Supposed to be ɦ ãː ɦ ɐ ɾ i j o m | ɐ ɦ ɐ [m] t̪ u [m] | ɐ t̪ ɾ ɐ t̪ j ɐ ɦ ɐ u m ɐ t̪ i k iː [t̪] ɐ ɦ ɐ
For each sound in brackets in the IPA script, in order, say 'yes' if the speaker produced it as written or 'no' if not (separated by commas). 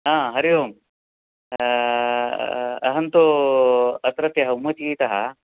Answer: no, no, yes